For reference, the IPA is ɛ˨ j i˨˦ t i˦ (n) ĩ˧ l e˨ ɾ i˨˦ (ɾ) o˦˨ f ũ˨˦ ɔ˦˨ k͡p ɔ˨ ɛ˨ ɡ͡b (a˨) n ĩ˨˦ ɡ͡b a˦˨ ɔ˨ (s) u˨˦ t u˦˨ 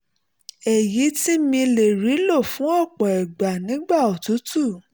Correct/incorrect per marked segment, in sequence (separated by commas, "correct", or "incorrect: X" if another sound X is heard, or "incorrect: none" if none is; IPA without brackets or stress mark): incorrect: m, incorrect: l, correct, incorrect: t